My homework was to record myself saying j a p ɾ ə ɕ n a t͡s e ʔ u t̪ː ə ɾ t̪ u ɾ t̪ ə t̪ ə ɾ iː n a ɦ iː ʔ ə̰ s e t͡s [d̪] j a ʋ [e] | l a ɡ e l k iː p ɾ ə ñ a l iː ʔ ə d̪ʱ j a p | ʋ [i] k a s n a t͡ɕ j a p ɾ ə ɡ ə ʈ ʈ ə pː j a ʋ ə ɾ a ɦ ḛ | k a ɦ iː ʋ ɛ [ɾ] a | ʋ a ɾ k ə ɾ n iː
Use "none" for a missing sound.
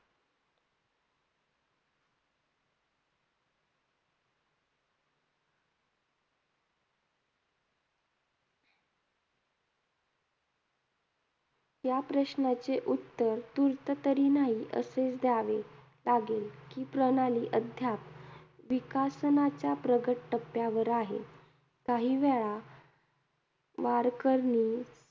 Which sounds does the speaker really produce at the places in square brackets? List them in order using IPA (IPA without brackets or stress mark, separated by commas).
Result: d̪, e, i, ɭ